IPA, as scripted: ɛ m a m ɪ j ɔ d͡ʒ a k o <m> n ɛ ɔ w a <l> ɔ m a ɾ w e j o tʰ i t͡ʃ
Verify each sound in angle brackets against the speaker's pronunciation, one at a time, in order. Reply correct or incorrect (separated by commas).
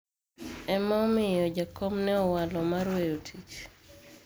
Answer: correct, correct